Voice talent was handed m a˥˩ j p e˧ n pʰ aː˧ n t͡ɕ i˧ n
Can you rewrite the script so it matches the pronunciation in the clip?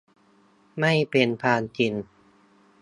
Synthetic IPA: m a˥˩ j p e˧ n pʰ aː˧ n t͡ɕ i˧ n

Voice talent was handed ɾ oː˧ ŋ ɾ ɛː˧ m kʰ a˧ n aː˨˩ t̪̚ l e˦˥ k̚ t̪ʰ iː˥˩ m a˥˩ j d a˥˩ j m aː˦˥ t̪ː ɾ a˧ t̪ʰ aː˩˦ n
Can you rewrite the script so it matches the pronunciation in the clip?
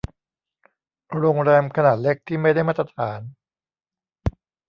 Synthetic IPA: ɾ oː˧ ŋ ɾ ɛː˧ m kʰ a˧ n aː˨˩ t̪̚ l e˦˥ k̚ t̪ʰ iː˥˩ m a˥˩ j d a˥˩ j m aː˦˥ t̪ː ɾ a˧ t̪ʰ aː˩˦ n

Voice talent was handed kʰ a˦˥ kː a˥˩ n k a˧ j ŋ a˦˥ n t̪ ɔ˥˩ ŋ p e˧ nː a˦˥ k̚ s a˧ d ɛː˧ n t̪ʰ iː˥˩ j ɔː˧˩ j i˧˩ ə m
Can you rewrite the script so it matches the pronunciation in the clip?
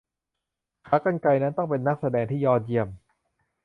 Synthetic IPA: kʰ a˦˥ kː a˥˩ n k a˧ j n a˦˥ n t̪ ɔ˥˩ ŋ p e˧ nː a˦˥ k̚ s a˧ d ɛː˧ ŋ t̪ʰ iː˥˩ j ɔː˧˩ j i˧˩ ə m

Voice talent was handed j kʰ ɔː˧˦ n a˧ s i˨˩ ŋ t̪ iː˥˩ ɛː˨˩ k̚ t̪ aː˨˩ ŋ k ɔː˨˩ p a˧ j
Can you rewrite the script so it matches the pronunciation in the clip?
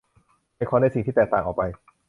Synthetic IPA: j kʰ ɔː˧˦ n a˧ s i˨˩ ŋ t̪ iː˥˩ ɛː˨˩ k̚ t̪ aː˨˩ ŋ ʔ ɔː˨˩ p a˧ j

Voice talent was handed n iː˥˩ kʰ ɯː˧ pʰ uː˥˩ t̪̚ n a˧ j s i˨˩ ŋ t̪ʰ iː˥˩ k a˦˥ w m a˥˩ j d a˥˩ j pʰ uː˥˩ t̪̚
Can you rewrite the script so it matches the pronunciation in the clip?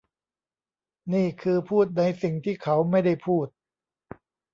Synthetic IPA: n iː˥˩ kʰ ɯː˧ pʰ uː˥˩ t̪̚ n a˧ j s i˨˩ ŋ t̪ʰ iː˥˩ kʰ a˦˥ w m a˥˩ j d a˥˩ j pʰ uː˥˩ t̪̚

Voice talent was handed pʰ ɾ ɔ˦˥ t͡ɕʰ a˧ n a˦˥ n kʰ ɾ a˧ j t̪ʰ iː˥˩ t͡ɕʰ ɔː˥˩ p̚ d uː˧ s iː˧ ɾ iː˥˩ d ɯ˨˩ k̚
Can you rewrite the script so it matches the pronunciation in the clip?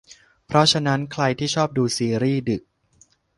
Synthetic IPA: pʰ ɾ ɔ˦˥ t͡ɕʰ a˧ n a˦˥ n kʰ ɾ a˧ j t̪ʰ iː˥˩ t͡ɕʰ ɔː˥˩ p̚ d uː˧ s iː˧ ɾ iː˥˩ d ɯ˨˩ k̚

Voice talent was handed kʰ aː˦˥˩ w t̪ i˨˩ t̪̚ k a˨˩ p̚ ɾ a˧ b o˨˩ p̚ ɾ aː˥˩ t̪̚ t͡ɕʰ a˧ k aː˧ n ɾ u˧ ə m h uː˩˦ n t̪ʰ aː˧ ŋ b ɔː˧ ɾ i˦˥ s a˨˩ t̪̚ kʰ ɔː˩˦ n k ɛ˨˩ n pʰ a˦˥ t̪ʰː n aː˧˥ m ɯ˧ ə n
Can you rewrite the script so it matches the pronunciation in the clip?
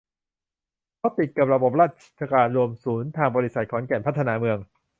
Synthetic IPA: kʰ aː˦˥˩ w t̪ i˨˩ t̪̚ k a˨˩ p̚ ɾ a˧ b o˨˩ p̚ ɾ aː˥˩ t̪̚ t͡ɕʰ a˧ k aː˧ n ɾ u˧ ə m s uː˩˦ n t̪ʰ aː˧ ŋ b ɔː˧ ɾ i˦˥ s a˨˩ t̪̚ kʰ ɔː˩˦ n k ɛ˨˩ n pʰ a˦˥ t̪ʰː n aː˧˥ m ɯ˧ ə ŋ

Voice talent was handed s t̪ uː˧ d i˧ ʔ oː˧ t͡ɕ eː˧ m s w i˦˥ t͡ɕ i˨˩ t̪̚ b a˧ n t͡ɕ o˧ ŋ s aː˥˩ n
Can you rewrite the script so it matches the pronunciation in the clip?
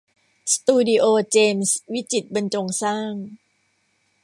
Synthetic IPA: s t̪ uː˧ d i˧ ʔ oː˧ t͡ɕ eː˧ m s w i˦˥ t͡ɕ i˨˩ t̪̚ b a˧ n t͡ɕ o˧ ŋ s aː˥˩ ŋ

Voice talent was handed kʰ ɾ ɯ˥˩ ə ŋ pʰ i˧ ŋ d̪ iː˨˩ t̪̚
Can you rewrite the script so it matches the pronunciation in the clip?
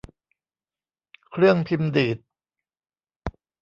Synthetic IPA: kʰ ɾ ɯ˥˩ ə ŋ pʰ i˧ m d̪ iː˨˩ t̪̚

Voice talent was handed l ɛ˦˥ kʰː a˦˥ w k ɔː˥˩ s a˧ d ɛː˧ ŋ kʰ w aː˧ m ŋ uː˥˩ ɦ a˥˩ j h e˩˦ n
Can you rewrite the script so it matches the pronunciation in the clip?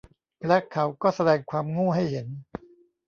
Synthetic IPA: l ɛ˦˥ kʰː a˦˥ w k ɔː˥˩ s a˧ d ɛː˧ ŋ kʰ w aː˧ m ŋ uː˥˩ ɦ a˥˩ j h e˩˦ n

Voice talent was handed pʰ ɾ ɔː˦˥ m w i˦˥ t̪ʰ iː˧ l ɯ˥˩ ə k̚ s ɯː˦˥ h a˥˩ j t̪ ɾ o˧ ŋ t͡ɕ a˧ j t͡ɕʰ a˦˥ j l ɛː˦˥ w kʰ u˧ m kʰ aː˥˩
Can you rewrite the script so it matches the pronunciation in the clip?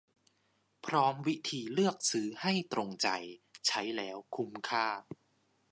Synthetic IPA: pʰ ɾ ɔː˦˥ m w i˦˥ t̪ʰ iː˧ l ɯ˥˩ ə k̚ s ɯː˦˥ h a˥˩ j t̪ ɾ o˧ ŋ t͡ɕ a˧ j t͡ɕʰ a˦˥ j l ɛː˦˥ w kʰ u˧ m kʰ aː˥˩

